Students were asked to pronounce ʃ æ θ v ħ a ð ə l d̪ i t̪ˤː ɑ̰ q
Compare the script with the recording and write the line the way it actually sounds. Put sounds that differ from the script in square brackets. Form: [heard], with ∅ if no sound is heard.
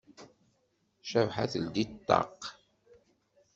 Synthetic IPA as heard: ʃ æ [∅] v ħ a [θ] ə l d̪ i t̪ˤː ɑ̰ q